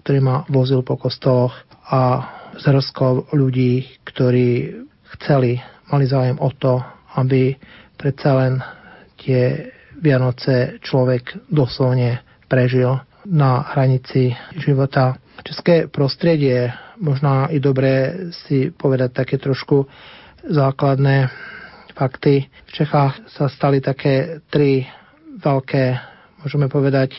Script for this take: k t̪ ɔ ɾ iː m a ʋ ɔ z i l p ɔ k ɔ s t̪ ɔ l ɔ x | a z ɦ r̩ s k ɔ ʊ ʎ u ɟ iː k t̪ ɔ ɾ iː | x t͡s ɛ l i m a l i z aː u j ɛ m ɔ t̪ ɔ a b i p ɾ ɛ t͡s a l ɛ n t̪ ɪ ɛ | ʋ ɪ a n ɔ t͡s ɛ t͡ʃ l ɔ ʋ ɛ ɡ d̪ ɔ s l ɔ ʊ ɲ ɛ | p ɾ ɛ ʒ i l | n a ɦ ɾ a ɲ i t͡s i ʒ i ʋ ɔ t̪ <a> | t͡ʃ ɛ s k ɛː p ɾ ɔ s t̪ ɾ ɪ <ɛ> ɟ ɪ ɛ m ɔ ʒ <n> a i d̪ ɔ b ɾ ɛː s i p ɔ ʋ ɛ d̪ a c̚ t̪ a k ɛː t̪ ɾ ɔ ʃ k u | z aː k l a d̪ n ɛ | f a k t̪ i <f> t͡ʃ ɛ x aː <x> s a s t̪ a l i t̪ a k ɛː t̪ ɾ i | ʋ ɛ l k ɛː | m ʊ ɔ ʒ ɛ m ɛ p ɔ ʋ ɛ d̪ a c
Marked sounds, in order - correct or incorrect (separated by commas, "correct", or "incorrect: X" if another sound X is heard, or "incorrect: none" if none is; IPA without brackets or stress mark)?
correct, correct, correct, correct, correct